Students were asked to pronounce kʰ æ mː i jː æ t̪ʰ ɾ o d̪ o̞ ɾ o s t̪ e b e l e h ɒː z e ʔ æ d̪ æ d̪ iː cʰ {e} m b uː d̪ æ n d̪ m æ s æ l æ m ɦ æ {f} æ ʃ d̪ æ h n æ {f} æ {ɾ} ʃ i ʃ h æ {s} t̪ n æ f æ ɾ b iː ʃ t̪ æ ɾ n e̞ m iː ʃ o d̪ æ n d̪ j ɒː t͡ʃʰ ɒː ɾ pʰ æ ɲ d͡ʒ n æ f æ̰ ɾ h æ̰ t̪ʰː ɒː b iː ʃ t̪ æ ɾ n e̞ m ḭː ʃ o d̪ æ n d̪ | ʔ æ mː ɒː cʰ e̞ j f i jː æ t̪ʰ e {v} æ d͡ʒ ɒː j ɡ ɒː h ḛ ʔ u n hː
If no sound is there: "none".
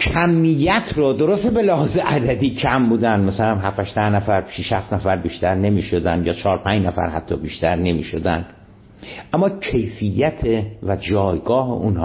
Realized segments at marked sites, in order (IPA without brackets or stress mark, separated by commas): æ, f, f, ɾ, f, v